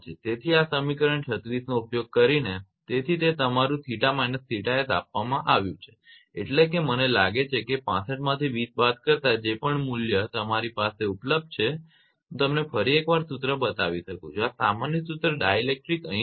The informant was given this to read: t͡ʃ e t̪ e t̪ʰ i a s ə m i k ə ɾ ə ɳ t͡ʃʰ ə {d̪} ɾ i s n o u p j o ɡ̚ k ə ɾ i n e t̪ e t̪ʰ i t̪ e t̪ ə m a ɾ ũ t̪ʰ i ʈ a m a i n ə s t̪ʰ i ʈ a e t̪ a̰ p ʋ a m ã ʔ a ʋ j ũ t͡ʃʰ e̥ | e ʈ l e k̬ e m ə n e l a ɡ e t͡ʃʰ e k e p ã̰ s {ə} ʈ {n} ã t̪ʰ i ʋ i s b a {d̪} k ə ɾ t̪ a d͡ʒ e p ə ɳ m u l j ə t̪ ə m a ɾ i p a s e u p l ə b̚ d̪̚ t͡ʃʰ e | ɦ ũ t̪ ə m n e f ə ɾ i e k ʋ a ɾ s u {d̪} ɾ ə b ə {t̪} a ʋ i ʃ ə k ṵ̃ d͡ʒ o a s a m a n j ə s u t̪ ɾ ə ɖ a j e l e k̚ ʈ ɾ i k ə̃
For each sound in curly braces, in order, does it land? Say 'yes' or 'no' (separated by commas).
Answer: no, yes, no, no, no, yes